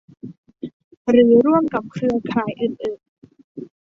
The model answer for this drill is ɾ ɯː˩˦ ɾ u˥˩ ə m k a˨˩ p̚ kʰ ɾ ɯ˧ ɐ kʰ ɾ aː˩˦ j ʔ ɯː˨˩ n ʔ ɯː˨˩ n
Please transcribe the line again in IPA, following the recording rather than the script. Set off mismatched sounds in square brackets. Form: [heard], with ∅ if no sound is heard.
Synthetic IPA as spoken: ɾ ɯː˩˦ ɾ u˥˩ ə m k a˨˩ p̚ kʰ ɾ ɯ˧ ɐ kʰ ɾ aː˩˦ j ʔ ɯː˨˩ n ʔ ɯː˨˩ n